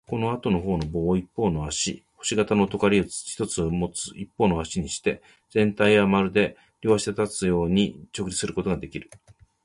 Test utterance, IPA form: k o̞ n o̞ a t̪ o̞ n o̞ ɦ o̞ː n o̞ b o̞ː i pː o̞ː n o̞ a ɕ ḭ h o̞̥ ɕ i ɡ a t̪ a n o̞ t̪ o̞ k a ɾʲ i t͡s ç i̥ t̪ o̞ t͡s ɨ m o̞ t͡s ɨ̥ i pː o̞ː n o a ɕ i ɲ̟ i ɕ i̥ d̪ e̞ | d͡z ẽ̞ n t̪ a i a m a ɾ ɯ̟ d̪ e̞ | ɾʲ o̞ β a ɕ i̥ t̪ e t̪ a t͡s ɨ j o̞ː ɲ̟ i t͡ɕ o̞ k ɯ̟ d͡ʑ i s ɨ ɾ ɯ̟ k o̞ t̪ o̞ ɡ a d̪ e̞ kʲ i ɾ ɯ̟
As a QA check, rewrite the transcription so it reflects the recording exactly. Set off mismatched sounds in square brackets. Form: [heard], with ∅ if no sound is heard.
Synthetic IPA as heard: k o̞ n o̞ a t̪ o̞ n o̞ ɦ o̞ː n o̞ b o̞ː i pː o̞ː n o̞ a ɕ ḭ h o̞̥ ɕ i ɡ a t̪ a n o̞ t̪ o̞ k a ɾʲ i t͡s ç i̥ t̪ o̞ t͡s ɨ m o̞ t͡s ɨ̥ i pː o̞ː n o a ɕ i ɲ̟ i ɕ i̥ [t̪] e̞ | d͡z ẽ̞ n t̪ a i a m a ɾ ɯ̟ d̪ e̞ | ɾʲ o̞ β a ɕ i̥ t̪ e t̪ a t͡s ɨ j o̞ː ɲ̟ i t͡ɕ o̞ k ɯ̟ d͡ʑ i s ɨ ɾ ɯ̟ k o̞ t̪ o̞ ɡ a d̪ e̞ kʲ i ɾ ɯ̟